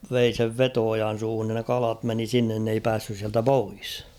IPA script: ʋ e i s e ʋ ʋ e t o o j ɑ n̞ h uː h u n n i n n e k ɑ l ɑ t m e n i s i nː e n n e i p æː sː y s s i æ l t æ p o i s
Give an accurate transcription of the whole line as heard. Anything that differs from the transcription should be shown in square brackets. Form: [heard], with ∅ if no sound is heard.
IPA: ʋ e i s e ʋ ʋ e t o o j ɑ n̞ [s] uː h u n n i n n e k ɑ l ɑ t m e n i s i nː e n n e i p æː sː y s s i æ l t æ p o i s